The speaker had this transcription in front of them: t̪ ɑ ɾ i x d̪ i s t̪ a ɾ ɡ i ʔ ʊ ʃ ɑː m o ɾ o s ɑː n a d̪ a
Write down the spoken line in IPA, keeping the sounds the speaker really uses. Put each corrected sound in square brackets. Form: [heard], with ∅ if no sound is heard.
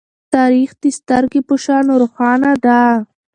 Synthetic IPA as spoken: t̪ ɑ ɾ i x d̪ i s t̪ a ɾ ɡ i [p] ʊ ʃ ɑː [n] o ɾ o [x] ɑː n a d̪ a